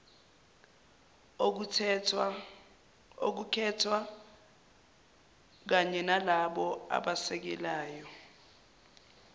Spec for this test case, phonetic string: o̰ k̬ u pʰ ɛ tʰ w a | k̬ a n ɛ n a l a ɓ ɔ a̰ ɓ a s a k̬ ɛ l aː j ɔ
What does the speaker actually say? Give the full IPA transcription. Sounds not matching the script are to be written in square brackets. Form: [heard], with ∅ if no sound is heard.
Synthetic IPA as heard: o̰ k̬ u [kʰ] ɛ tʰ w a | k̬ a [ɲ] ɛ n a l a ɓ ɔ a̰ ɓ a s [ɛ] k̬ ɛ l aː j ɔ

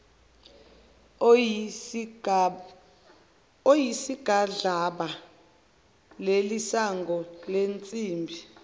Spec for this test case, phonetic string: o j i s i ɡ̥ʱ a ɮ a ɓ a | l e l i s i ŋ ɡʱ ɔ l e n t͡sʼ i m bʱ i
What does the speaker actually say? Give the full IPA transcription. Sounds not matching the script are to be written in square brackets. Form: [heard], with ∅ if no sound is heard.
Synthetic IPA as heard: o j i s i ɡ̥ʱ a ɮ a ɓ a | l e l i s [a] ŋ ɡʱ ɔ l e n t͡sʼ [iː] m bʱ i

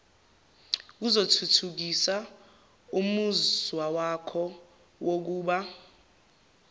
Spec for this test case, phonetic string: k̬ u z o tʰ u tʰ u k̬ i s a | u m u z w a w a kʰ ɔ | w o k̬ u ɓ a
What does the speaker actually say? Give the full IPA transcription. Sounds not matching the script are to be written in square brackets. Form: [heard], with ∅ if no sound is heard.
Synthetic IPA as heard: k̬ u z o tʰ u tʰ u k̬ i s a | u m u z w a w a kʰ ɔ | w o k̬ [uː] ɓ a

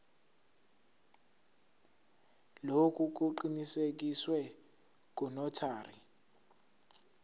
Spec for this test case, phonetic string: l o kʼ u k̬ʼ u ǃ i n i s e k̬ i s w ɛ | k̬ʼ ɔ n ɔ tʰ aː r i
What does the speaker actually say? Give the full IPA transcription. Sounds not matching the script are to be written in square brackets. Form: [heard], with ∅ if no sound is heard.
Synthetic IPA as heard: l o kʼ u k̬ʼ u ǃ i n i s e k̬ i s w ɛ | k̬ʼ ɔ n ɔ tʰ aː r i

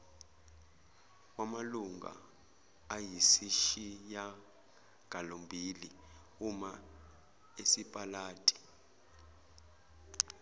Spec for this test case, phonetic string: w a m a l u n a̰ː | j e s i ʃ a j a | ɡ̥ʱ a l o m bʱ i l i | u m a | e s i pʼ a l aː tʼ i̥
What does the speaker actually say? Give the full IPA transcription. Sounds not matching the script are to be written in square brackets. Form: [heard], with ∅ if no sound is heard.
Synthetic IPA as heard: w a m a l u [ŋ] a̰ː | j [i] s i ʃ [i] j a | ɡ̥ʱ a l o m bʱ i l i | u m a | e s i pʼ a l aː tʼ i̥

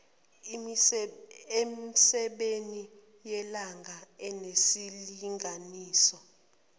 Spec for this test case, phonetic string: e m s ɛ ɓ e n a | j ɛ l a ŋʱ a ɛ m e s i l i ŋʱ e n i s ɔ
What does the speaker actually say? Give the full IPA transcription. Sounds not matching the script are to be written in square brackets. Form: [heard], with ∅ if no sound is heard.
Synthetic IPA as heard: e m s ɛ ɓ e n [i] | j ɛ l a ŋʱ a ɛ [n] e s i l i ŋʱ [a] n [iː] s ɔ

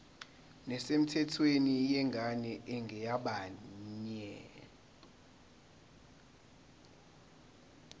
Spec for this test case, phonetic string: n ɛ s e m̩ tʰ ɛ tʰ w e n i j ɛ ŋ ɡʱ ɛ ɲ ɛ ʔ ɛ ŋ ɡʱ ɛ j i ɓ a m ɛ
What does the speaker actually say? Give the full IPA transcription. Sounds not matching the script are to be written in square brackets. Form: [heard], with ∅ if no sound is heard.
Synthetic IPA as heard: n ɛ s e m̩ tʰ ɛ tʰ w e n i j ɛ ŋ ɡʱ [a] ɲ ɛ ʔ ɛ ŋ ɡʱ ɛ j [a] ɓ a [ɲ] ɛ

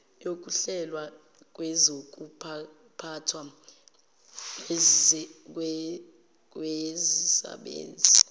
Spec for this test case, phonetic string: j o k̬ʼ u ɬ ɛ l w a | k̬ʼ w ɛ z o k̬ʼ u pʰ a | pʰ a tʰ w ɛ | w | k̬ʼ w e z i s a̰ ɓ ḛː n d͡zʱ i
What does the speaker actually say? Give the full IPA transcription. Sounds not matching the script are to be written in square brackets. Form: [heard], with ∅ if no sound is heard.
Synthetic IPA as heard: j o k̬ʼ u ɬ ɛ l w a | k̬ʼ w ɛ z o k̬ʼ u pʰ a | pʰ a tʰ w [a] | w | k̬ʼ w e z i s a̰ ɓ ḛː n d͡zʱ i

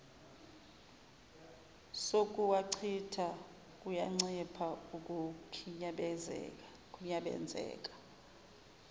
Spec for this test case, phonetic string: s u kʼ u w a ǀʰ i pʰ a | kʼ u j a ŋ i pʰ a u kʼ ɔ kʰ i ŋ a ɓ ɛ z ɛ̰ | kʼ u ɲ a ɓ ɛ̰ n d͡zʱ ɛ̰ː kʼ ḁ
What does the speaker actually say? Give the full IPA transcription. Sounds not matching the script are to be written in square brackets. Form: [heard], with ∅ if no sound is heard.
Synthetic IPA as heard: s [o] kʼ u w a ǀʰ i [tʰ] a | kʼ u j a [ŋ͡ǀ] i pʰ a u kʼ [u] kʰ i [ɲ] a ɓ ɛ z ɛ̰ | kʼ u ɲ a ɓ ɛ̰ n d͡zʱ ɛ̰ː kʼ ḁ

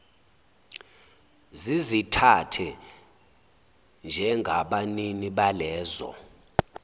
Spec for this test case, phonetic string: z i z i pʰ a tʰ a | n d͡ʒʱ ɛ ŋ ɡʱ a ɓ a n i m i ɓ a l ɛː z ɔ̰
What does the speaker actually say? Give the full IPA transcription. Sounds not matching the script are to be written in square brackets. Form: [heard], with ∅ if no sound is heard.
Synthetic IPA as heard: z i z i [tʰ] a tʰ [ɛ] | n d͡ʒʱ ɛ ŋ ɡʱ a ɓ a n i [n] i ɓ a l ɛː z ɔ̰

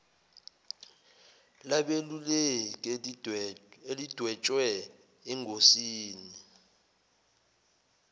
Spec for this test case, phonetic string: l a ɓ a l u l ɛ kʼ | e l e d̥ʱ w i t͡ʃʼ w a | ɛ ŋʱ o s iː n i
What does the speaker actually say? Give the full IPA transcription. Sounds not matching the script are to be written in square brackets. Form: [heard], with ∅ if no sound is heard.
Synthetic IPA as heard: l a ɓ [e] l u l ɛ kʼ | e l [i] d̥ʱ w [ɛ] t͡ʃʼ w [ɛ] | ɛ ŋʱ o s iː n i

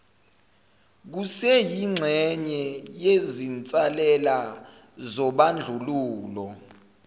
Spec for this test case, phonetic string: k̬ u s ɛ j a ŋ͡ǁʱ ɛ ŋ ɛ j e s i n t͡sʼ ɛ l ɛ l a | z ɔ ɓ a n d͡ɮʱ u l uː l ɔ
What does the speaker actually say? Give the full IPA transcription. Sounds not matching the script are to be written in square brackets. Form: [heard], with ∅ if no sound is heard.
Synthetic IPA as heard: k̬ u s ɛ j [i] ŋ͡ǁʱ ɛ [ɲ] ɛ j e [z] i n t͡sʼ [a] l ɛ l a | z ɔ ɓ a n d͡ɮʱ u l uː l ɔ

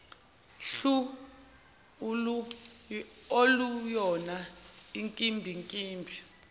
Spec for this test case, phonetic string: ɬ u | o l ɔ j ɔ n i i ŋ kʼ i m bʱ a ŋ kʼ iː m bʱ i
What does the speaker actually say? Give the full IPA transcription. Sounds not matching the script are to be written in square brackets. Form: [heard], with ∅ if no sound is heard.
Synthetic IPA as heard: ɬ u | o l [u] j ɔ n [a] i ŋ kʼ i m bʱ [i] ŋ kʼ iː m bʱ i

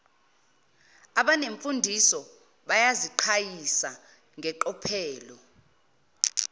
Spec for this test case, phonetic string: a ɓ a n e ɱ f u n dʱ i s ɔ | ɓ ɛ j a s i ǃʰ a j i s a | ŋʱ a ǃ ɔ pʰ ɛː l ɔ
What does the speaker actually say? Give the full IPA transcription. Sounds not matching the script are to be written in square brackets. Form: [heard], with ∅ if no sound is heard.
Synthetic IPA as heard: a ɓ a n e ɱ f u n dʱ i s ɔ | ɓ [a] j a [z] i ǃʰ a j i s a | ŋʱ [ɛ] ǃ ɔ pʰ ɛː l ɔ

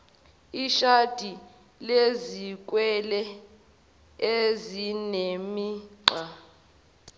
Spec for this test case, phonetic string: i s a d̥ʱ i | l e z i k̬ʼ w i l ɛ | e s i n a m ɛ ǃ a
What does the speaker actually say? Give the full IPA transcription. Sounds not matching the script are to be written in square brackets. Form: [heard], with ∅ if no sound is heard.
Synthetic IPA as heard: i [ʃ] a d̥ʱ i | l e z i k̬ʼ w [ɛ] l ɛ | e [z] i n [e] m [i] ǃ a

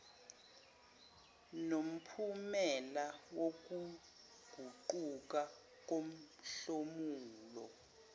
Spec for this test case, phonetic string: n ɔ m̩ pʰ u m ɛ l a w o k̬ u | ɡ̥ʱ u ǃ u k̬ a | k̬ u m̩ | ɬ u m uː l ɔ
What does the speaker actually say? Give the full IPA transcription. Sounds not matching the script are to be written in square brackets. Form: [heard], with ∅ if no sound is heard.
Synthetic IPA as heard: n [o] m̩ pʰ u m ɛ l a w o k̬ u | ɡ̥ʱ u ǃ u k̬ a | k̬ [o] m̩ | ɬ [o] m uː l ɔ

